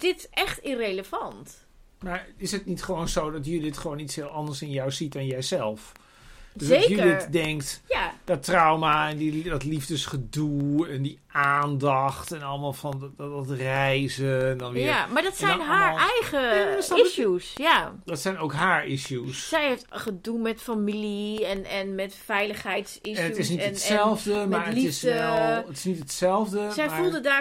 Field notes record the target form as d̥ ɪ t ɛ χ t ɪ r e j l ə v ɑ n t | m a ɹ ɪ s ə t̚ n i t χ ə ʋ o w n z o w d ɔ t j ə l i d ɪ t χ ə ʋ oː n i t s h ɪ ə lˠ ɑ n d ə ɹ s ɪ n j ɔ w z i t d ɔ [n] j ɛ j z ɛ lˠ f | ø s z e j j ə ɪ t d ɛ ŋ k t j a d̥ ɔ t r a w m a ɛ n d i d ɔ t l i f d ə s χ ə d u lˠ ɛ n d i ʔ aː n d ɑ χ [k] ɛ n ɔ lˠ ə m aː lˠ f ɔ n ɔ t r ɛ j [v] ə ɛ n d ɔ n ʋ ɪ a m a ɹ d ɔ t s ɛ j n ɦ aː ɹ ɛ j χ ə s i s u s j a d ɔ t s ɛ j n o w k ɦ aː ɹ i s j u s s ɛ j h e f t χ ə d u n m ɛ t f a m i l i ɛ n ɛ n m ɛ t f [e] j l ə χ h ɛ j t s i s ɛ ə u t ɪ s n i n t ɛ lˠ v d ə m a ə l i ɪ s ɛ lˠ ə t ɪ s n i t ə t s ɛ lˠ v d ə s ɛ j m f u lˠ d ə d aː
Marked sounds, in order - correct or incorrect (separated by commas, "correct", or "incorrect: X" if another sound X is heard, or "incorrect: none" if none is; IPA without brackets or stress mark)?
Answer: correct, incorrect: t, incorrect: z, incorrect: ɛ